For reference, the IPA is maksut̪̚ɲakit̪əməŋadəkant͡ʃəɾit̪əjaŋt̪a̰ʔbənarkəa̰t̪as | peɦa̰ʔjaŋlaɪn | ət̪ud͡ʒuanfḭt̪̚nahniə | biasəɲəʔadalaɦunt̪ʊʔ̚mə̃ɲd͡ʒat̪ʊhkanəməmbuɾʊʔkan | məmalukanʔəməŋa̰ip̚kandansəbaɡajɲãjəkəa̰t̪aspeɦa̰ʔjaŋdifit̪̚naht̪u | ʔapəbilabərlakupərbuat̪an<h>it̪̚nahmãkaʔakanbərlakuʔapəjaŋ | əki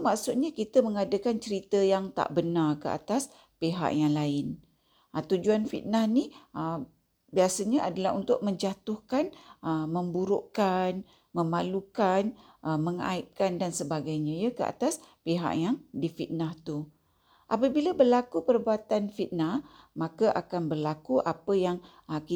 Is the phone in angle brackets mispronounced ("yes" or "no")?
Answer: yes